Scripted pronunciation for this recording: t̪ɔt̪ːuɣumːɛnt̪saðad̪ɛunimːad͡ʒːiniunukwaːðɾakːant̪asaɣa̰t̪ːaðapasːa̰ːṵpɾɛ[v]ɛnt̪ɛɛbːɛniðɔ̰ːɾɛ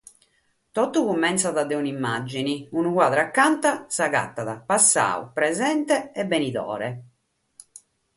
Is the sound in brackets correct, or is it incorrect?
incorrect